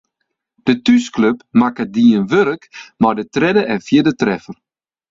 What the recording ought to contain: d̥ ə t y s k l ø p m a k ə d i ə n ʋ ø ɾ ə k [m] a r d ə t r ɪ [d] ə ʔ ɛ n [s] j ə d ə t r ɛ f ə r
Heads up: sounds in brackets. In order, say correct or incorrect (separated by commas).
correct, correct, incorrect